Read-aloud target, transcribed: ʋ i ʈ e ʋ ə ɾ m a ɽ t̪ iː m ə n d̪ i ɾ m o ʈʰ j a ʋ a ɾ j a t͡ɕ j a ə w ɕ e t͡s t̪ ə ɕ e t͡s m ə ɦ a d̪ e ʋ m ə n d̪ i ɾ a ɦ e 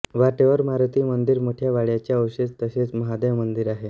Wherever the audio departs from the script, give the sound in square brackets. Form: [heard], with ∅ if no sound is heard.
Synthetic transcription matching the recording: ʋ [a] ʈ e ʋ ə ɾ m a [ɾ] t̪ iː m ə n d̪ i ɾ m o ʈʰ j a ʋ a [ɭ] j a t͡ɕ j a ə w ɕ e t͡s t̪ ə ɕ e t͡s m ə ɦ a d̪ e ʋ m ə n d̪ i ɾ a ɦ e

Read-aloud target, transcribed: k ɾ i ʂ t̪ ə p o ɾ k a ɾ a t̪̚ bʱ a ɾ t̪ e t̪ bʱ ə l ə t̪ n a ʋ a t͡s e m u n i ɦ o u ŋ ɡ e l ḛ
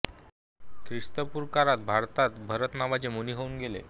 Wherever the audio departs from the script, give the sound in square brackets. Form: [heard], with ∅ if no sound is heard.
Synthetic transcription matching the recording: k ɾ i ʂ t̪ ə p [u] ɾ k a ɾ a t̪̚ bʱ a ɾ t̪ [a] t̪ bʱ ə [ɾ] ə t̪ n a ʋ a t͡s e m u n i ɦ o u [n] ɡ e l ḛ

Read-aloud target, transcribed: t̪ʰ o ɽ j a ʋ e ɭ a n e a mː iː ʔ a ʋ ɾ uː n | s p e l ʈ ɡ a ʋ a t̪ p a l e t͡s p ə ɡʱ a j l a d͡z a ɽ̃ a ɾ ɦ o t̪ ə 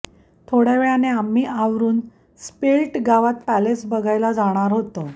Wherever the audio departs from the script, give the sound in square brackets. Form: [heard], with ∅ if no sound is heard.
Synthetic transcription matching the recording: t̪ʰ o ɽ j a ʋ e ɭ a n e a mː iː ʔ a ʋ ɾ uː n | s p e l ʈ ɡ a ʋ a t̪ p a l e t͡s [b] ə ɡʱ a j l a d͡z a ɽ̃ a ɾ ɦ o t̪ ə

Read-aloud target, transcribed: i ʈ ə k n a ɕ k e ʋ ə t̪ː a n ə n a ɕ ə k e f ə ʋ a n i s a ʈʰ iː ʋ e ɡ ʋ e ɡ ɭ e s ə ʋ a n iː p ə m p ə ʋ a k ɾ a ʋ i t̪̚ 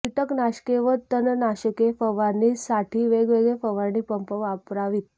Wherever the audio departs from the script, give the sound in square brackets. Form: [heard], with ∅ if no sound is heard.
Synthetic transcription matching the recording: i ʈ ə k n a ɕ k e ʋ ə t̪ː [ə] n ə n a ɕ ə k e f ə ʋ a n i s a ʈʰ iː ʋ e ɡ ʋ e ɡ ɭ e [f] ə ʋ a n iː p ə m p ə ʋ a [p] ɾ a ʋ i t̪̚

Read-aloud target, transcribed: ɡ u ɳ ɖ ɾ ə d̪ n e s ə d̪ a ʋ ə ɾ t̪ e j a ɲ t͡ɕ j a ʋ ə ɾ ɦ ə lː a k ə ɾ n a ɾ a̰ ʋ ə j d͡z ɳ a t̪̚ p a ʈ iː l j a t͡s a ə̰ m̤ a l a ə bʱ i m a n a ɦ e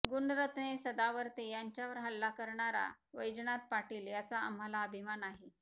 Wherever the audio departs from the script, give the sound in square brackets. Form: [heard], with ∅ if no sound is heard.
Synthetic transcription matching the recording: ɡ u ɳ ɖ ɾ ə [t̪] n e s ə d̪ a ʋ ə ɾ t̪ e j a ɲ t͡ɕ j a ʋ ə ɾ ɦ ə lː a k ə ɾ [ɳ] a ɾ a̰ ʋ ə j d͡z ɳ a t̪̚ p a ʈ iː l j a t͡s a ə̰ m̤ a l a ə bʱ i m a n a ɦ e

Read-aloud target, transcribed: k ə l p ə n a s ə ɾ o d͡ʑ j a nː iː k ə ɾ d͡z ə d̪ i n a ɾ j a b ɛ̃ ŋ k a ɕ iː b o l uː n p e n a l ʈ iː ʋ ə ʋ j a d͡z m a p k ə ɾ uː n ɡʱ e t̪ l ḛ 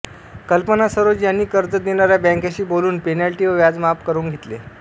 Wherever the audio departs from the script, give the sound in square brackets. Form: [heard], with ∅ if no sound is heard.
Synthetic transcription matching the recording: k ə l p ə n a s ə ɾ o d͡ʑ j a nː iː k ə ɾ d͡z ə d̪ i n a ɾ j a b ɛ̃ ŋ k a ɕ iː b o l uː n p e n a l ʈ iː ʋ ə ʋ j a d͡z m a p k ə ɾ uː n ɡʱ e t̪ l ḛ

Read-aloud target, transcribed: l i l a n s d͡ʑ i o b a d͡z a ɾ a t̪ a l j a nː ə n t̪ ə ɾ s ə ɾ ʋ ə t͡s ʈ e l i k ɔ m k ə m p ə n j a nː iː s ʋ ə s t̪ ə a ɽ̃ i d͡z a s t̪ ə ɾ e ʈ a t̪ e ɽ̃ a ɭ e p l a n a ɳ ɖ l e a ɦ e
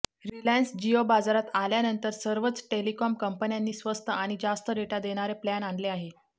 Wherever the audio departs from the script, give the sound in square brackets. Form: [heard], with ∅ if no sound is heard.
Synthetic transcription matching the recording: [ɾ] i l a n s d͡ʑ i o b a d͡z a ɾ a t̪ a l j a [n] ə n t̪ ə ɾ s ə ɾ ʋ ə t͡s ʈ e l i k ɔ m k ə m p ə n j a nː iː s ʋ ə s t̪ ə a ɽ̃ i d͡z a s t̪ ə ɾ e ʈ a [d̪] e ɽ̃ a [ɾ] e p l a n a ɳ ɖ l e a ɦ e

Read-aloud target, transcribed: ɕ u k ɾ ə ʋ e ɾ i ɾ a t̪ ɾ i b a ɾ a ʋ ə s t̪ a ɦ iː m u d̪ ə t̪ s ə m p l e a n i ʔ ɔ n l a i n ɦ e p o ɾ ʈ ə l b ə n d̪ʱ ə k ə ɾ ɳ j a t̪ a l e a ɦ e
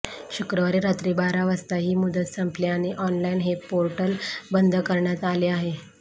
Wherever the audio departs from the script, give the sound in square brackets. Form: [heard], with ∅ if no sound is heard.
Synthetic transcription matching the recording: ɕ u k ɾ ə ʋ [a] ɾ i ɾ a t̪ ɾ i b a ɾ a ʋ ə s t̪ a ɦ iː m u d̪ ə t̪ s ə m p l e a n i ʔ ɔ n l a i n ɦ e p o ɾ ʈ ə l b ə n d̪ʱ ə k ə ɾ ɳ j a t̪ a l e a ɦ e

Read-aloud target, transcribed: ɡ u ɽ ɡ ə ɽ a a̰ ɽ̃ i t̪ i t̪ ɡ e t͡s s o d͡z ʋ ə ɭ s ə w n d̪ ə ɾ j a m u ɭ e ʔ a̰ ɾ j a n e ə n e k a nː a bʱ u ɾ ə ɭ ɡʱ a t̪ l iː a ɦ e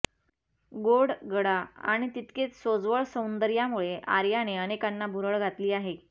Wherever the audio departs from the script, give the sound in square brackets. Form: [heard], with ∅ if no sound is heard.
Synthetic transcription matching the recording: ɡ [o] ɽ ɡ ə ɽ a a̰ ɽ̃ i t̪ i t̪ [k] e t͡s s o d͡z ʋ ə ɭ s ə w n d̪ ə ɾ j a m u ɭ e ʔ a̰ ɾ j a n e ə n e k a nː a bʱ u ɾ ə ɭ ɡʱ a t̪ l iː a ɦ e

